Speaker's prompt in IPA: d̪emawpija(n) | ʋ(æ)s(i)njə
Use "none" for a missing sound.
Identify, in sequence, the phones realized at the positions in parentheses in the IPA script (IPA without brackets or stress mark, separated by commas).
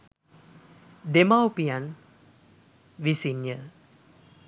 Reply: n, i, i